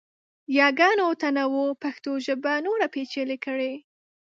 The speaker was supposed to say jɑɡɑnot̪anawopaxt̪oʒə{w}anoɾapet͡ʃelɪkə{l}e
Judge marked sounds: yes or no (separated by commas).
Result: no, no